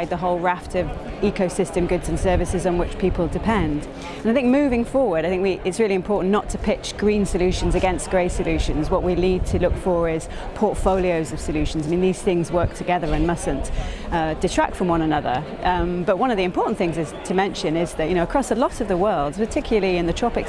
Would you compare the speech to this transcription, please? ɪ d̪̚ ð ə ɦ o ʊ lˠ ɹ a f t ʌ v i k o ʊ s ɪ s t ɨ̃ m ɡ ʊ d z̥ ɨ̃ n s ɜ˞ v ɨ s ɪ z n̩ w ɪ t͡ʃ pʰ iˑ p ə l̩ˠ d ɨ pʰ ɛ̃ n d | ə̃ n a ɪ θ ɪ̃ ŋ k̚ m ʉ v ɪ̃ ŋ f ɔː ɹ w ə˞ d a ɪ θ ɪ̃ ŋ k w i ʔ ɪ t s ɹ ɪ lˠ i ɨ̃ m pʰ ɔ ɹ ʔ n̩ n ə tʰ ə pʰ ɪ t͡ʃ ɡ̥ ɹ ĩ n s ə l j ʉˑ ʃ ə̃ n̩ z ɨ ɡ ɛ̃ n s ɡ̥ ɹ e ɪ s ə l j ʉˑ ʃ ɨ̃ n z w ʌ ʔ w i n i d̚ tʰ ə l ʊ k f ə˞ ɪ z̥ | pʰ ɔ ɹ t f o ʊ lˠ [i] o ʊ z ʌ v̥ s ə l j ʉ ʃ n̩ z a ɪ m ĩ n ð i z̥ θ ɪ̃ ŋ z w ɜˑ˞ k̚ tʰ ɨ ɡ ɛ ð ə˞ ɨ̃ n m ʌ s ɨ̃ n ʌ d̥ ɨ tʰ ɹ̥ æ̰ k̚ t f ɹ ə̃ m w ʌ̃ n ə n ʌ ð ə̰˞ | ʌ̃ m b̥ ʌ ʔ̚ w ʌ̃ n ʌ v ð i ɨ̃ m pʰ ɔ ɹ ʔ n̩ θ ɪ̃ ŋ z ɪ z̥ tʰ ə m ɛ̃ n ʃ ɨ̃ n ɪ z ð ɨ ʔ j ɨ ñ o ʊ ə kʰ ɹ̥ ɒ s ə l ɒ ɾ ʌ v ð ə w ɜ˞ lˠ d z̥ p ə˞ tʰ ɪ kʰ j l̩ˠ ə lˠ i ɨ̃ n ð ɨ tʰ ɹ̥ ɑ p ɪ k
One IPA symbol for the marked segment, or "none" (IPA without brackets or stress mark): i